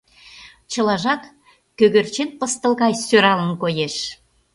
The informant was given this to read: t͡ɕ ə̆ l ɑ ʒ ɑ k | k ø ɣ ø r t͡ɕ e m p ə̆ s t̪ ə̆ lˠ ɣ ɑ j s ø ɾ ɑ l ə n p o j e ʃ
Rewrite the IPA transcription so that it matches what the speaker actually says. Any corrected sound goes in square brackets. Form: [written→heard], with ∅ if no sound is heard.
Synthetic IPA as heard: t͡ɕ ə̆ l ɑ ʒ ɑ k | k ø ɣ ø r t͡ɕ e [m→n] p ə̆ s t̪ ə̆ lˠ ɣ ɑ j s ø ɾ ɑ l ə n [p→k] o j e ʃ